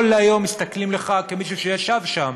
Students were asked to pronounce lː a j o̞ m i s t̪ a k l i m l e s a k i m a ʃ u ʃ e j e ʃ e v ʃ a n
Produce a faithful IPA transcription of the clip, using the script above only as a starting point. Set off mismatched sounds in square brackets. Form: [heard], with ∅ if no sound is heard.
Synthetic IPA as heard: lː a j o̞ m i s t̪ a k l i m l e [χ] a k [e] m [i] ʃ u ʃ e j [a] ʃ [a] v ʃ a [m]